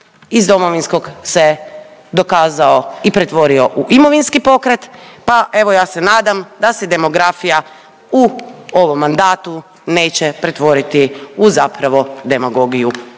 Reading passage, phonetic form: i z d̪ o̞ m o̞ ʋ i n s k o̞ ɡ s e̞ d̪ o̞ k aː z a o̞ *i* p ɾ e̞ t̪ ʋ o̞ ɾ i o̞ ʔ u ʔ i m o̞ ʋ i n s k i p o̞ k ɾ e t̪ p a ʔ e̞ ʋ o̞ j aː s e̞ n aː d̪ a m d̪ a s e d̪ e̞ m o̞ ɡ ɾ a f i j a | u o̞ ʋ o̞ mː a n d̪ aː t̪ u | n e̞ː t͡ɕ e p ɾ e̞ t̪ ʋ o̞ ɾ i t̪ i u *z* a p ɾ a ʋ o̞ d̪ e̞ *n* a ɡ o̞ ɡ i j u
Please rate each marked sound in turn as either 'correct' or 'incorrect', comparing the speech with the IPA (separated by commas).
correct, correct, incorrect